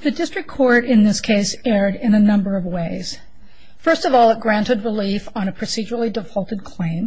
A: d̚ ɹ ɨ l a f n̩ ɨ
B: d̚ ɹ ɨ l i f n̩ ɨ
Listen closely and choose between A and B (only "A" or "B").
B